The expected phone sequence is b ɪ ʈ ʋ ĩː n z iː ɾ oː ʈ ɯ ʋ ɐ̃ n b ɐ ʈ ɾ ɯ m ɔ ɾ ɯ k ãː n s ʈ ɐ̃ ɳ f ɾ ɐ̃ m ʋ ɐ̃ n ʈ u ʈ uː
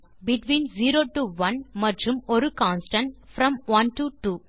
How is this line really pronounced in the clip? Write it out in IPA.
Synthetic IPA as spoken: b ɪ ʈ ʋ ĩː n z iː ɾ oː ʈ u ʋ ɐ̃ n m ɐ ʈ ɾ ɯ m ɔ ɾ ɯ k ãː n s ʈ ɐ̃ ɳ f ɾ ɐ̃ m ʋ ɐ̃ n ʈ u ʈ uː